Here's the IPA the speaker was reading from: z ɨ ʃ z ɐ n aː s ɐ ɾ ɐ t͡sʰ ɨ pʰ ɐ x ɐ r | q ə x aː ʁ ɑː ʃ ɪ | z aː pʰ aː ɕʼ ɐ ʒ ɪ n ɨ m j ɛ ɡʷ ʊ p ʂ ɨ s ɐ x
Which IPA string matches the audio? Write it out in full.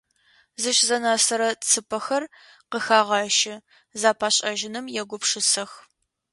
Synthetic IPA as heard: z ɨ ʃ z ɐ n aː s ɐ ɾ ɐ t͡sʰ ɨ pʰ ɐ x ɐ r | q ə x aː ʁ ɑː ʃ ɪ | z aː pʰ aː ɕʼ ɐ ʒ ɪ n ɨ m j ɛ ɡʷ ʊ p ʂ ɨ s ɐ x

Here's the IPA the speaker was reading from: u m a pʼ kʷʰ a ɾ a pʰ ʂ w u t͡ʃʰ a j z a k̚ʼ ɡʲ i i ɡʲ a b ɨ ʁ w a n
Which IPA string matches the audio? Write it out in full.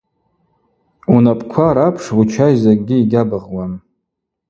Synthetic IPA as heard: u n a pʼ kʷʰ a ɾ a pʰ ʂ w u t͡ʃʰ a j z a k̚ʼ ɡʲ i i ɡʲ a b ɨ ʁ w a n

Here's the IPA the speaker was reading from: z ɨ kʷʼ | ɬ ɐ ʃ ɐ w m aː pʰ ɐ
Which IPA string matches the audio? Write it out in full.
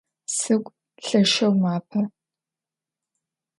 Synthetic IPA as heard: s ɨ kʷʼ | ɬ ɐ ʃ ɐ w m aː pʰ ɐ

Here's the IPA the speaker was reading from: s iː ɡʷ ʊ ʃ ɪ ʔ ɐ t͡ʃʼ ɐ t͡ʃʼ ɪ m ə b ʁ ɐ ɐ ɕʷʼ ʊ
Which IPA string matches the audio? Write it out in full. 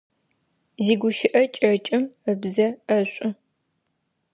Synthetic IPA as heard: z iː ɡʷ ʊ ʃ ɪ ʔ ɐ t͡ʃʼ ɐ t͡ʃʼ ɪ m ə b z ɐ ɐ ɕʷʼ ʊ

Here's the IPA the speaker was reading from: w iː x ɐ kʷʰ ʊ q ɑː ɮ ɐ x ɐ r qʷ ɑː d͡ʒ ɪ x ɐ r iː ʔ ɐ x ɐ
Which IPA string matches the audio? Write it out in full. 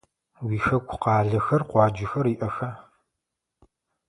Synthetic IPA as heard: w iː x ɐ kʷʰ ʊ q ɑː ɮ ɐ x ɐ r qʷ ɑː d͡ʒ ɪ x ɐ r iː ʔ ɐ x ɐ

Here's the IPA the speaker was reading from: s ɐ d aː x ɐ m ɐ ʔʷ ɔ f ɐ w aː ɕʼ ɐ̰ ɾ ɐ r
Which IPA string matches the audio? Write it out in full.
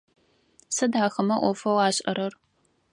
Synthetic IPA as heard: s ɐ d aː x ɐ m ɐ ʔʷ ɔ f ɐ w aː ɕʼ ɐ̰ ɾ ɐ r

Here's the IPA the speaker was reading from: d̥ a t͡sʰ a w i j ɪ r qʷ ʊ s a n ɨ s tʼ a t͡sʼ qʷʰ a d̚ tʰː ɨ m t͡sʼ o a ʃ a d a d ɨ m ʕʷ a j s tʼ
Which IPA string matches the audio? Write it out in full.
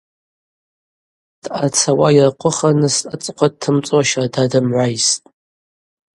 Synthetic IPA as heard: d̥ a t͡sʰ a w a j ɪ r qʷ ʊ χ a n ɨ s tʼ a t͡sʼ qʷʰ a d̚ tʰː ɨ m t͡sʼ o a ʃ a d a d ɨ m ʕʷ a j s tʼ

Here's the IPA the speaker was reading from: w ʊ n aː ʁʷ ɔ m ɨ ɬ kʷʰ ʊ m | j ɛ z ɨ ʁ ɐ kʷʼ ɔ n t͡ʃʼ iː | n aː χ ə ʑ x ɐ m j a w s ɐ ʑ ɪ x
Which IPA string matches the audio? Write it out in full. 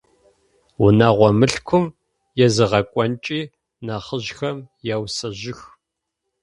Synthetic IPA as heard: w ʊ n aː ʁʷ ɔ m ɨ ɬ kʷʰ ʊ m | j ɛ z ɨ ʁ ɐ kʷʼ ɔ n t͡ʃʼ iː | n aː χ ə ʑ x ɐ m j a w s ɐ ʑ ɪ x

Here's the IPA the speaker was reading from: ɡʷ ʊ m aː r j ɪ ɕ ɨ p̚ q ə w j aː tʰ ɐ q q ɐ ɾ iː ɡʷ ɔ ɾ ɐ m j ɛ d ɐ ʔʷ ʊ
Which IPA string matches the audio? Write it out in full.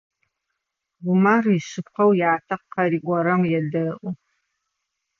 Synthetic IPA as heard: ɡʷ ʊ m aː r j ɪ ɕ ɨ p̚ q ɐ w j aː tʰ ɐ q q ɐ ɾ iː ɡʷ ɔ ɾ ɐ m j ɛ d ɐ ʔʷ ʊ

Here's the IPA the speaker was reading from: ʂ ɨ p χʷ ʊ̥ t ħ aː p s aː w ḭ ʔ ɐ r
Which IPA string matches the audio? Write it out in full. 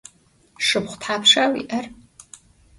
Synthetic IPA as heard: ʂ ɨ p χʷ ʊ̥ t ħ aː p ʂ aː w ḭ ʔ ɐ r

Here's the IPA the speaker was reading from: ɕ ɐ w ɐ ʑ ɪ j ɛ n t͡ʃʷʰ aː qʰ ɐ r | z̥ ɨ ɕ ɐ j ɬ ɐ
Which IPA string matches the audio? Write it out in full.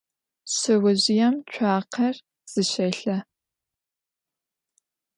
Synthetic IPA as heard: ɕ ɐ w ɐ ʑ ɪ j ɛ m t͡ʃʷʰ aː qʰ ɐ r | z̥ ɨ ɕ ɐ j ɬ ɐ

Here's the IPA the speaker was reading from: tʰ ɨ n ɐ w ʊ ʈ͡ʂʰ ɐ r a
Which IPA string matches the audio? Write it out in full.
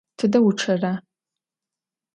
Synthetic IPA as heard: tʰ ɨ d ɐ w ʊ ʈ͡ʂʰ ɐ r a

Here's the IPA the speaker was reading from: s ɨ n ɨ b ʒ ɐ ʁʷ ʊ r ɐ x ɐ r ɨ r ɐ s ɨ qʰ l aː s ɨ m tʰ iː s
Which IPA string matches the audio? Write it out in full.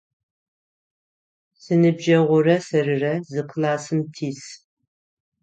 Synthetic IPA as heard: s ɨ n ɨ b ʒ ɐ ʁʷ ʊ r ɐ s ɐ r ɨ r ɐ z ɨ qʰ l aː s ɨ m tʰ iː s

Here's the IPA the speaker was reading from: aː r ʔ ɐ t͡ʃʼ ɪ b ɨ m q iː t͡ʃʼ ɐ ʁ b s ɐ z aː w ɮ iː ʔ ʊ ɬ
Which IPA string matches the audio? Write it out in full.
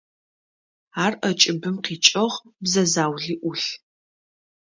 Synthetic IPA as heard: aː r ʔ ɐ t͡ʃʼ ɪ b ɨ m q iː t͡ʃʼ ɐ ʁ b z ɐ z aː w ɮ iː ʔ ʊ ɬ

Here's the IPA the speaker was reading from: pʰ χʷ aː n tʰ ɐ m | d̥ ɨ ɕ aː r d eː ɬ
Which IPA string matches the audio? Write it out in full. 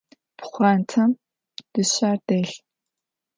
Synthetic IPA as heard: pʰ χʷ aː n tʰ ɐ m | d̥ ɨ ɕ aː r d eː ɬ

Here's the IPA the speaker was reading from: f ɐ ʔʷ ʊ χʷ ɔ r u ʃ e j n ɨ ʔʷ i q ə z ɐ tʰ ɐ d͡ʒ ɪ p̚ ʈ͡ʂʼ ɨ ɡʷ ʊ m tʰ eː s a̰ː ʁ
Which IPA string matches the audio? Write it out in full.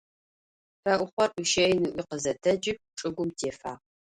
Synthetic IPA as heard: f ɐ ʔʷ ʊ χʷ ɔ r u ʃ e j n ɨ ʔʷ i q ə z ɐ tʰ ɐ d͡ʒ ɪ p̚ ʈ͡ʂʼ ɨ ɡʷ ʊ m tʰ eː f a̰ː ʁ

